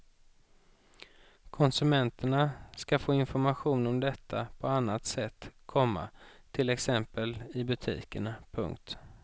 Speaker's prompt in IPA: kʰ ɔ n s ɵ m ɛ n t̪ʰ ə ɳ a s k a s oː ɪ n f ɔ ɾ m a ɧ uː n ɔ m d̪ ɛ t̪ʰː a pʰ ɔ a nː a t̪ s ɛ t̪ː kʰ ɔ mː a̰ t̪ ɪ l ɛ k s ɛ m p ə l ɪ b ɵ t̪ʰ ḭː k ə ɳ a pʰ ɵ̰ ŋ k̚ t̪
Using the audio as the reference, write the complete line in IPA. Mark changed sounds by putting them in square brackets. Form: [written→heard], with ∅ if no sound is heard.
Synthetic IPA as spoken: kʰ ɔ n s ɵ m ɛ n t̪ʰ ə ɳ a s k a [s→f] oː ɪ n f ɔ ɾ m a ɧ uː n ɔ m d̪ ɛ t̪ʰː a pʰ ɔ a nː a t̪ s ɛ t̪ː kʰ ɔ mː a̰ [t̪→t̪ʰ] ɪ l ɛ k s ɛ m p ə l ɪ b ɵ t̪ʰ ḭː k ə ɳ a pʰ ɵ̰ ŋ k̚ t̪